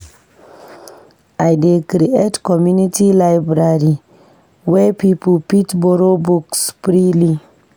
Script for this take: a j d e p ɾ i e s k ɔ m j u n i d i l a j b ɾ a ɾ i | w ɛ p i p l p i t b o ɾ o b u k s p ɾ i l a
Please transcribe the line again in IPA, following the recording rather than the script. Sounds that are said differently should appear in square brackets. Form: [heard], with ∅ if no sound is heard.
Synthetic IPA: a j d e [k] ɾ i e [t] k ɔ m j u n i [t] i l a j b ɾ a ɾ i | w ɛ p i p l p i t b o ɾ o b u k s p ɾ i l [i]